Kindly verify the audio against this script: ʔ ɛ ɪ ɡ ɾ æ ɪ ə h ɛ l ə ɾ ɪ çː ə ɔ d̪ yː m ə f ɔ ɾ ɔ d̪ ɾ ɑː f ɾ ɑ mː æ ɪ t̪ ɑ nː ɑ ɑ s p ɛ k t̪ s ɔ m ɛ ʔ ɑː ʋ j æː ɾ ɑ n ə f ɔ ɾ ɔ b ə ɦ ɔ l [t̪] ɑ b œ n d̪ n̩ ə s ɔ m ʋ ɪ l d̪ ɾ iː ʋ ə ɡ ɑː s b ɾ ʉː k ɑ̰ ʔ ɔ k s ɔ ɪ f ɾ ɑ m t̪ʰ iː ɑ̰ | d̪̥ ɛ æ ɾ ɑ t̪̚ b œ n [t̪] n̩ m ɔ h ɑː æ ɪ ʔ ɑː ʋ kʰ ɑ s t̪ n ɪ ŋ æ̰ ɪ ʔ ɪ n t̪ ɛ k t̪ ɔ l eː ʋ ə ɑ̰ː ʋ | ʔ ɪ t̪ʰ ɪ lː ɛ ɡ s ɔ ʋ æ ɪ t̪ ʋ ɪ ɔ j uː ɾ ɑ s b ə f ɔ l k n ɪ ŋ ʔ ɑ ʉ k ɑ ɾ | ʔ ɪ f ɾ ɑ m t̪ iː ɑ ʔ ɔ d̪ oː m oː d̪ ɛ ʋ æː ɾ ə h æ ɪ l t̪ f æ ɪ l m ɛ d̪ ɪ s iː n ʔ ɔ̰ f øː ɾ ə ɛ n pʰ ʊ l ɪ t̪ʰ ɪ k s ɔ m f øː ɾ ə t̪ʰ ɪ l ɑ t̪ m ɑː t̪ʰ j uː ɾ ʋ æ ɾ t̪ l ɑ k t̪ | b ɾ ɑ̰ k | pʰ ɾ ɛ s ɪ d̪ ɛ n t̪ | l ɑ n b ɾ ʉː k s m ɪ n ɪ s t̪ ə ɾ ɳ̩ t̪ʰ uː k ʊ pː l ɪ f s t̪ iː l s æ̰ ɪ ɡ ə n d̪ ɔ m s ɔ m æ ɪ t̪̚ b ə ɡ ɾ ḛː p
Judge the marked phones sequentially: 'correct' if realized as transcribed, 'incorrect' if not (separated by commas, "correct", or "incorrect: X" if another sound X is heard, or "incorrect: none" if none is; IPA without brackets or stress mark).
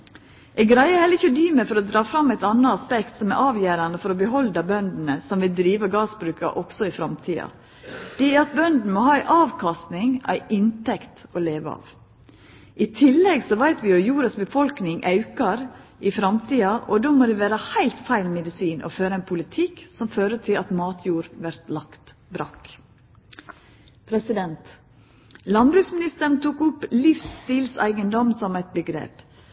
incorrect: d̪, incorrect: d̪